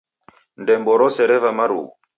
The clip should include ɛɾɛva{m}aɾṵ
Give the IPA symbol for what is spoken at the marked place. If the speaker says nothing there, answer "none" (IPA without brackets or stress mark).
m